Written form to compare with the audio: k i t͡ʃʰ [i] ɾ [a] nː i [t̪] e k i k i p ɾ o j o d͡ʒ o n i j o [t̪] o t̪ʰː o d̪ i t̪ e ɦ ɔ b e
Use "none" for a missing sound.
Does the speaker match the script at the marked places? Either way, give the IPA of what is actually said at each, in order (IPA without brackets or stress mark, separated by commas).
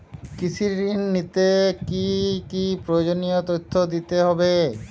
i, i, t̪, t̪